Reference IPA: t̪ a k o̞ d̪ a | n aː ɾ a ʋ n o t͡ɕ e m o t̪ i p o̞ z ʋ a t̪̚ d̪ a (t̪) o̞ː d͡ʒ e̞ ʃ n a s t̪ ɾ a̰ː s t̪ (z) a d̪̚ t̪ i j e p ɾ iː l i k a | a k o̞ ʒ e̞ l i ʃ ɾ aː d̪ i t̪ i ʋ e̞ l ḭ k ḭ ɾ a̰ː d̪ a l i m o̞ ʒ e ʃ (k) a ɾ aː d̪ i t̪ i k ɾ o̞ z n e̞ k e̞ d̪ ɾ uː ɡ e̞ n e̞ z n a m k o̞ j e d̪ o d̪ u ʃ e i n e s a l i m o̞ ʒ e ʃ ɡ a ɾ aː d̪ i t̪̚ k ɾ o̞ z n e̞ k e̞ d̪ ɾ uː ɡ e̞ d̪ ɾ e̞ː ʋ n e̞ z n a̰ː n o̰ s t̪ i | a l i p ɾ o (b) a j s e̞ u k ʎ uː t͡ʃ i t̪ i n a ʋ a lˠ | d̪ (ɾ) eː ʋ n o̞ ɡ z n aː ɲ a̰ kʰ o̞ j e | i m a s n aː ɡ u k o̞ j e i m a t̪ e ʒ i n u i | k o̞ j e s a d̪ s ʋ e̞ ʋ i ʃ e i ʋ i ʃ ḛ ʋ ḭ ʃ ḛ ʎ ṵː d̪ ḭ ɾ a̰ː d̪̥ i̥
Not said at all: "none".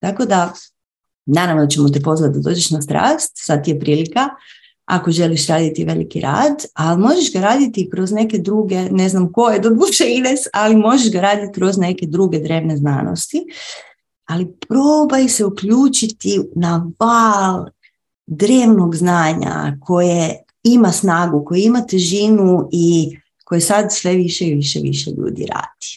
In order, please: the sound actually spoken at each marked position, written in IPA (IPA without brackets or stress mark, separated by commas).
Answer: d̪, s, ɡ, b, ɾ